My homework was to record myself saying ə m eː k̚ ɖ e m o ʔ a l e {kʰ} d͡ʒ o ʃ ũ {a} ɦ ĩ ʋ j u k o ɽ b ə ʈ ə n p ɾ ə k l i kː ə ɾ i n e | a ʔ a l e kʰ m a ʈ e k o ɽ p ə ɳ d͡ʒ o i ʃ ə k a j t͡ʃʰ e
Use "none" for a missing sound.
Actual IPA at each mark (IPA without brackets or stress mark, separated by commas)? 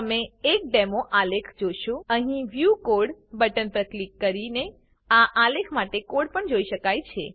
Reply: kʰ, ə